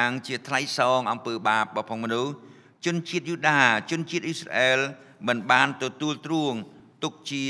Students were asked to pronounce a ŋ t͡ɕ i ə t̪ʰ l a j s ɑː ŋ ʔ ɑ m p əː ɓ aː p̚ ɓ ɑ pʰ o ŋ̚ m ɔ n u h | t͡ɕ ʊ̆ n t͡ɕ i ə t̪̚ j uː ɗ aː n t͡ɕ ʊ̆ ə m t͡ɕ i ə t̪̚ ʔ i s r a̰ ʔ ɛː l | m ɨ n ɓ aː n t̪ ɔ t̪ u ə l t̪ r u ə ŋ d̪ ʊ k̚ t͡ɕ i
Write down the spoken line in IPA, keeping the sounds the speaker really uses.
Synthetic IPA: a ŋ t͡ɕ i ə t̪ʰ l a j s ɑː ŋ ʔ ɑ m p əː ɓ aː p̚ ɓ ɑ pʰ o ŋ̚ m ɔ n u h | t͡ɕ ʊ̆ n t͡ɕ i ə t̪̚ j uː ɗ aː t͡ɕ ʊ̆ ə n t͡ɕ i ə t̪̚ ʔ i s r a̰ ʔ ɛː l | m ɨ n ɓ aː n t̪ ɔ t̪ u ə l t̪ r u ə ŋ t̪ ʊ k̚ t͡ɕ i